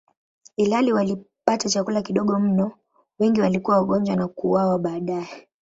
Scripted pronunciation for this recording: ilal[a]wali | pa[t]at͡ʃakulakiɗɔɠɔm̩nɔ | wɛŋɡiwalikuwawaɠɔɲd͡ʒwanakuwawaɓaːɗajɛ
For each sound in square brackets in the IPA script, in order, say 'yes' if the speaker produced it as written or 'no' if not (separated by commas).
no, yes